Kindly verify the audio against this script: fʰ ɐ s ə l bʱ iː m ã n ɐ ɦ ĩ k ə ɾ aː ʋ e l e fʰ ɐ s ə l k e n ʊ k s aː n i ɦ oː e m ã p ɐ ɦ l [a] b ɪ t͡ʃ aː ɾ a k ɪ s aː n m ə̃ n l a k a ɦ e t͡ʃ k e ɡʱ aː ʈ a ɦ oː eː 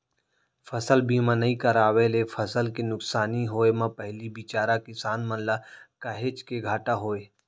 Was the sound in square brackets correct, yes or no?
no